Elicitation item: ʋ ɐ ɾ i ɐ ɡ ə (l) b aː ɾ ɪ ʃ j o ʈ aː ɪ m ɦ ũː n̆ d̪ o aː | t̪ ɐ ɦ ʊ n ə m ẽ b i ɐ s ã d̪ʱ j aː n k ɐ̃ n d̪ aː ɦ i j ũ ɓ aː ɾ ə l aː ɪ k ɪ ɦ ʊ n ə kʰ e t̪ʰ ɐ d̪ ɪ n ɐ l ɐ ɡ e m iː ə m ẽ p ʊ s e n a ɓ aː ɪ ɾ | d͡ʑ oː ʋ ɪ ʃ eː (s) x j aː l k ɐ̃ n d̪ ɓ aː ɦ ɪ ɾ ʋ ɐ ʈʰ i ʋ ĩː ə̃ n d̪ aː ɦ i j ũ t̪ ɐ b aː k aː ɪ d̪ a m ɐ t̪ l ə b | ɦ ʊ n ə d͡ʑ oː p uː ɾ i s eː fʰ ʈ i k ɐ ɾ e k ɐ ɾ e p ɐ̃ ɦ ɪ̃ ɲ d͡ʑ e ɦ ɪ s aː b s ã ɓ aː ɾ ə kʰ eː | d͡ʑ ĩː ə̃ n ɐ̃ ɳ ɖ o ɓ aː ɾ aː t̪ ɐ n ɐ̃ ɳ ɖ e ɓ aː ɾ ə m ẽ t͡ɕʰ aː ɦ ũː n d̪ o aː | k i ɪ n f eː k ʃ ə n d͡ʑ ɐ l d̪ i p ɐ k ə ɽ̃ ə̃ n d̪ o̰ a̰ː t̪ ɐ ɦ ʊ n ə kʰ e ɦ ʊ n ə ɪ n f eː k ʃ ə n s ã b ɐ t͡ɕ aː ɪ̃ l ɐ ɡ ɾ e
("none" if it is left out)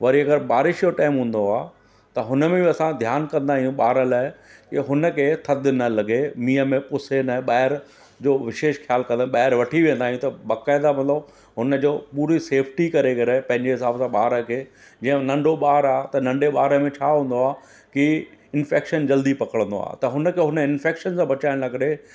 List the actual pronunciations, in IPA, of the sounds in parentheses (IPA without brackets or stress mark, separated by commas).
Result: ɾ, ʃ